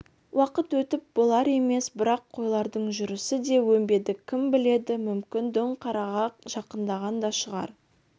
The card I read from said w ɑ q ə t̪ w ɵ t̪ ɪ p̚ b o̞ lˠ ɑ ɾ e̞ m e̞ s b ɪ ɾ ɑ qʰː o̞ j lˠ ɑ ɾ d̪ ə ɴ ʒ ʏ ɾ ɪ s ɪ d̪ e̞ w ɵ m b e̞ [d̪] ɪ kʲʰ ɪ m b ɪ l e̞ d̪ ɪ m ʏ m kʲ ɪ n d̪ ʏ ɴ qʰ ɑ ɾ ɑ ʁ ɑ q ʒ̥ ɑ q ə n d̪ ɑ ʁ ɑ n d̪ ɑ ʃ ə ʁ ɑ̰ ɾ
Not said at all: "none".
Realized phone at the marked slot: d̪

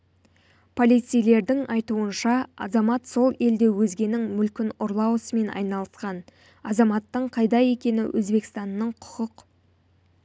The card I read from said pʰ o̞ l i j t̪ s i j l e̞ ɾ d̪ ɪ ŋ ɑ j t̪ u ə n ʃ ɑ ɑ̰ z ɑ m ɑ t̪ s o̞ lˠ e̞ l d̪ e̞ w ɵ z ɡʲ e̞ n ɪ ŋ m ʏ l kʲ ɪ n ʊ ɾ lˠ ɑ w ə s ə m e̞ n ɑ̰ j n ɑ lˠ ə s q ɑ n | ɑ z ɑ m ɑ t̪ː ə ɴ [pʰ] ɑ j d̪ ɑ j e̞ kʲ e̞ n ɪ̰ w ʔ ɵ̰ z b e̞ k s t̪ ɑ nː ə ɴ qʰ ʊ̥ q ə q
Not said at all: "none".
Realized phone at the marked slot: qʰ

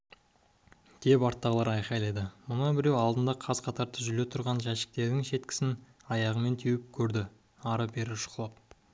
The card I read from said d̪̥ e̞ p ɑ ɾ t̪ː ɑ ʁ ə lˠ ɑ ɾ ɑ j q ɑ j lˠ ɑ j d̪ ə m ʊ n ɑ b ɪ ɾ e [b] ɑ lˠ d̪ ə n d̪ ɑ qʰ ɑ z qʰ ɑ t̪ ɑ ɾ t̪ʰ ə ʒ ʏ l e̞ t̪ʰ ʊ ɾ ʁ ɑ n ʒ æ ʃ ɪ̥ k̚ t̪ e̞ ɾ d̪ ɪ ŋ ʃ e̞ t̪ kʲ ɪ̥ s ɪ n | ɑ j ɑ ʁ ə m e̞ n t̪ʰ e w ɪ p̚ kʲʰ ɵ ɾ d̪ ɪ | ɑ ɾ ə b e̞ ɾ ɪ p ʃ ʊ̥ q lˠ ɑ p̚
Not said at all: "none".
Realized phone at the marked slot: w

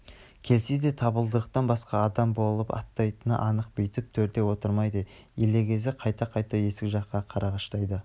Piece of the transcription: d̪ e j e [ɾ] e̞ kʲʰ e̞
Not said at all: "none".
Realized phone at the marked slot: l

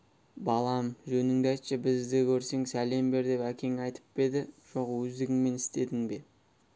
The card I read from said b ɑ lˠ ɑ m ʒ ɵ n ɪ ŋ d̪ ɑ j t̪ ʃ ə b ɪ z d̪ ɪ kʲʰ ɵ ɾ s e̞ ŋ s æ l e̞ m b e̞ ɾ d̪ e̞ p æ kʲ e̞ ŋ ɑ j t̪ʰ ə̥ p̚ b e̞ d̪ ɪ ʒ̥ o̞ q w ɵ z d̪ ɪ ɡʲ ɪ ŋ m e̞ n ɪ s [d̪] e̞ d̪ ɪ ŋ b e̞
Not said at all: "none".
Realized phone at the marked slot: t̪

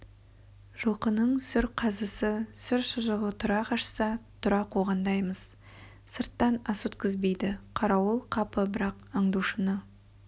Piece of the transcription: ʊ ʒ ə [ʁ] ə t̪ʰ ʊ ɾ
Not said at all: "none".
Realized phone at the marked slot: ʁ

